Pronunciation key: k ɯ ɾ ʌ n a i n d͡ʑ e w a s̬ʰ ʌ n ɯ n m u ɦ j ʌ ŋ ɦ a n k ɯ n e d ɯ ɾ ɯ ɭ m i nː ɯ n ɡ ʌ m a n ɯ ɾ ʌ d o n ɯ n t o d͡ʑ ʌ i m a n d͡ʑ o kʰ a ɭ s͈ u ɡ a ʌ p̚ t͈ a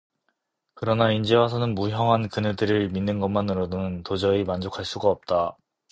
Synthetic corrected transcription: k ɯ ɾ ʌ n a i n d͡ʑ e w a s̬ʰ ʌ n ɯ n m u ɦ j ʌ ŋ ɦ a n k ɯ n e d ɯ ɾ ɯ ɭ m i nː ɯ n ɡ ʌ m a n ɯ ɾ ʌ d o n ɯ n t o d͡ʑ ʌ i m a n d͡ʑ o kʰ a ɭ s͈ u ɡ a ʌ p̚ t͈ a

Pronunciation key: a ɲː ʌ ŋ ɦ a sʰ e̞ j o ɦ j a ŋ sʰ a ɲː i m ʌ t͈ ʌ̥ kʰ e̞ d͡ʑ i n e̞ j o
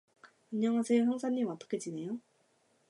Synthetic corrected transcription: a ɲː ʌ ŋ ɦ a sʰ e̞ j o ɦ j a ŋ sʰ a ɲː i m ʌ t͈ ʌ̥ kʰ e̞ d͡ʑ i n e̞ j o

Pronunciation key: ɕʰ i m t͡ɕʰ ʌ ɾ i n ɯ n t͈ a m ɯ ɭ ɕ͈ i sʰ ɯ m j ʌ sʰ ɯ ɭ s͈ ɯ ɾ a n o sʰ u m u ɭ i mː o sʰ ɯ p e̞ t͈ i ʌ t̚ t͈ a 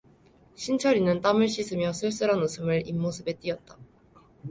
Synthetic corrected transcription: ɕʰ i n t͡ɕʰ ʌ ɾ i n ɯ n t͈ a m ɯ ɭ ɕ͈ i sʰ ɯ m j ʌ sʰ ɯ ɭ s͈ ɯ ɾ a n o sʰ ɯ m ɯ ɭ i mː o sʰ ɯ b e̞ t͈ i ʌ t̚ t͈ a

